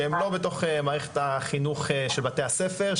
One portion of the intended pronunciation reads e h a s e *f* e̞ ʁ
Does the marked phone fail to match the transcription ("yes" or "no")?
no